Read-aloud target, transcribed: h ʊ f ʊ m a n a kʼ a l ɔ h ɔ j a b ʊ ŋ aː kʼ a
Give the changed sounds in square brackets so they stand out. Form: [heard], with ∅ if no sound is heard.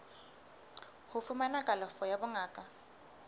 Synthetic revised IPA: h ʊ f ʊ m a n a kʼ a l ɔ [f] ɔ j a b ʊ ŋ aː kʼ a